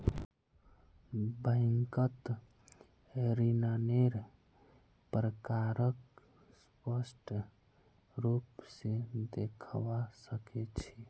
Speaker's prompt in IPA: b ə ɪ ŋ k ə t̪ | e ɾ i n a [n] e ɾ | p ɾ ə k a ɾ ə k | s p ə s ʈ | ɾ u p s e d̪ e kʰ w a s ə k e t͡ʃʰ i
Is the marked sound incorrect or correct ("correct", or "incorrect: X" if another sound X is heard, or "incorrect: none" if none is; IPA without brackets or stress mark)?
correct